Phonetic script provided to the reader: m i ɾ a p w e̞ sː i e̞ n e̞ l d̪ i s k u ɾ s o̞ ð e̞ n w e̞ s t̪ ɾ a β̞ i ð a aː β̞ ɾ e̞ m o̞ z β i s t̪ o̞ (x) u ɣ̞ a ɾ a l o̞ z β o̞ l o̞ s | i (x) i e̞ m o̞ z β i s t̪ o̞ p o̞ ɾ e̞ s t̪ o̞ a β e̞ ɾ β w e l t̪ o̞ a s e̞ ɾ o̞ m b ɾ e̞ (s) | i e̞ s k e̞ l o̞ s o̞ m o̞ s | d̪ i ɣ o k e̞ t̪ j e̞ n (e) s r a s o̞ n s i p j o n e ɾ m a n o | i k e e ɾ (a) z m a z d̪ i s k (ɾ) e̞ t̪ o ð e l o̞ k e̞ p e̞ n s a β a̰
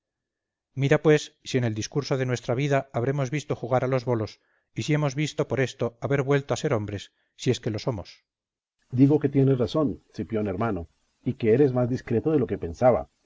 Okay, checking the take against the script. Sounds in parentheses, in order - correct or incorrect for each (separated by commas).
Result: correct, incorrect, incorrect, correct, incorrect, correct